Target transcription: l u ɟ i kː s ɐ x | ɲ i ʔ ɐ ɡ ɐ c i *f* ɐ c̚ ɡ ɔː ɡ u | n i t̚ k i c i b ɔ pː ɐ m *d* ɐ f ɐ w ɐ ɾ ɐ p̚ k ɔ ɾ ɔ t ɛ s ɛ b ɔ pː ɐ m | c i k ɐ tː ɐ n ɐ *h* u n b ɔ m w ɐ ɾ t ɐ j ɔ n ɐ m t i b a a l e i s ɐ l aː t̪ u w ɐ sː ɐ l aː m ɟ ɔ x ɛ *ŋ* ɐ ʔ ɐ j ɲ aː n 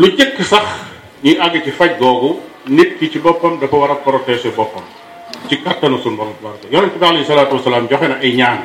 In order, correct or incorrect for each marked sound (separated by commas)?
correct, correct, incorrect, incorrect